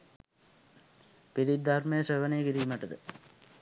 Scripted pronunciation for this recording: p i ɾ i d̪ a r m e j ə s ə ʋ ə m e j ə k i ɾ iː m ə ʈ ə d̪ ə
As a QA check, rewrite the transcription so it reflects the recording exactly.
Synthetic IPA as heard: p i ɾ i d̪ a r m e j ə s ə ʋ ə n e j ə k i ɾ iː m ə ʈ ə d̪ ə